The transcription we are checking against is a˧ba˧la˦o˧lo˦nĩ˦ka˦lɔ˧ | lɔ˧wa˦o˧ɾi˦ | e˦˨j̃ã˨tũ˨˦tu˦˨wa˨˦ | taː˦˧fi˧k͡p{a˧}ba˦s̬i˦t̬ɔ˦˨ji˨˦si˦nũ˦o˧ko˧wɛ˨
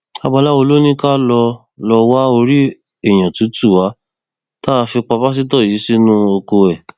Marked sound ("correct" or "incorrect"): correct